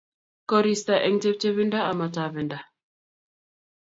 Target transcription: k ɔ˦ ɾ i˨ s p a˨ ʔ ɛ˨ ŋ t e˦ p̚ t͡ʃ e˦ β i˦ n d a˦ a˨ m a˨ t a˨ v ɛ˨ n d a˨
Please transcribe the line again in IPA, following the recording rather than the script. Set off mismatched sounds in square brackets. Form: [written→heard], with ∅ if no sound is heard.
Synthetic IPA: k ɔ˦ ɾ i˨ s [p→t] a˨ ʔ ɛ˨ ŋ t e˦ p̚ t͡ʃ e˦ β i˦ n d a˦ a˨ m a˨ t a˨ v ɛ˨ n d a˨